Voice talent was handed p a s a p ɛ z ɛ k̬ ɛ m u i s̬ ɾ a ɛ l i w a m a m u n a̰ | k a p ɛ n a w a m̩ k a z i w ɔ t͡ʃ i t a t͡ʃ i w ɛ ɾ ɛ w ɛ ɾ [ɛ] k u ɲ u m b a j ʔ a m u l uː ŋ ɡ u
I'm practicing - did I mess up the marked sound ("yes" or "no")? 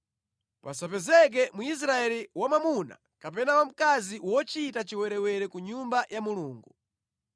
no